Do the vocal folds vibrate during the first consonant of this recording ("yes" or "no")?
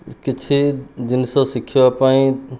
no